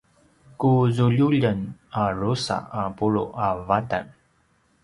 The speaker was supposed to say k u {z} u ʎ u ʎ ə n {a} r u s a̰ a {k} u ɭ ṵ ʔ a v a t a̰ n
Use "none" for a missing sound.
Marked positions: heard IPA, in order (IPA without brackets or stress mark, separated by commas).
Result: z, a, p